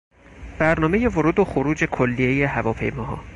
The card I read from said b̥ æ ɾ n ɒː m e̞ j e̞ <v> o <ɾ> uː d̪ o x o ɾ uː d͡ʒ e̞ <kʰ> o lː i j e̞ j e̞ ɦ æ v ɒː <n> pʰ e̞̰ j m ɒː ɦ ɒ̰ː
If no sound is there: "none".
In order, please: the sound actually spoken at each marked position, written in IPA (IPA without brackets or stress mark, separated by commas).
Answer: v, ɾ, kʰ, none